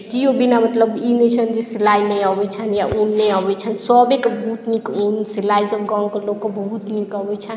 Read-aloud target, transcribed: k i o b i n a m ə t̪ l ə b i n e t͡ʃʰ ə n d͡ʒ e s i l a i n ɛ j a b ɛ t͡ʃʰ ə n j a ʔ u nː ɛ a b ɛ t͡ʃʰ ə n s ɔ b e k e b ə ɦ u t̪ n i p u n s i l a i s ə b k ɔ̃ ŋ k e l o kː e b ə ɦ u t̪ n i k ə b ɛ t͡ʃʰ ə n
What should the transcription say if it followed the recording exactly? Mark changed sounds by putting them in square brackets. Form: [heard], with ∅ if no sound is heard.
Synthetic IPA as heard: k i o b i n a m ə t̪ l ə b i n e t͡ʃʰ ə n d͡ʒ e s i l a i n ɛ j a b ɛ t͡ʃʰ ə n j a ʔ u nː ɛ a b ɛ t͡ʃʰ ə n s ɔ b e k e b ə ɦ u t̪ n i [k] u n s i l a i s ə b [ɡ] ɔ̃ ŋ k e l o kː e b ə ɦ u t̪ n i k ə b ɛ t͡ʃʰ ə n